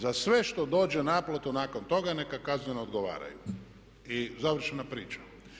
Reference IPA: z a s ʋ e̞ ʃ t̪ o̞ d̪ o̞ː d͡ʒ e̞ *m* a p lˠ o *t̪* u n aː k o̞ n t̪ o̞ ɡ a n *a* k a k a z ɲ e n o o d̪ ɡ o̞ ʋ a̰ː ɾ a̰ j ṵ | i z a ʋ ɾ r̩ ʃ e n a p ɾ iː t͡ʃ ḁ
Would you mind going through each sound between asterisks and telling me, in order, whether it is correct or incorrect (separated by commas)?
incorrect, correct, incorrect